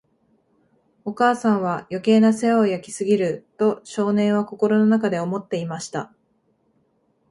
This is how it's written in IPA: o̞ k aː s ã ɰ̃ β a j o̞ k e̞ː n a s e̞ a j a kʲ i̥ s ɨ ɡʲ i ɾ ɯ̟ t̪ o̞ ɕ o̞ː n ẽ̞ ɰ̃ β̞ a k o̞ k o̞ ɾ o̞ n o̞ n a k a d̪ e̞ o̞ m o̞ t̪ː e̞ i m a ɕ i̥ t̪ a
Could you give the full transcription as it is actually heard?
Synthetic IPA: o̞ k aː s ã ɰ̃ β a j o̞ k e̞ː n a s e̞ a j a kʲ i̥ s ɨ ɡʲ i ɾ ɯ̟ t̪ o̞ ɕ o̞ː n ẽ̞ ɰ̃ β̞ a k o̞ k o̞ ɾ o̞ n o̞ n a k a d̪ e̞ o̞ m o̞ t̪ː e̞ i m a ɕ i̥ t̪ a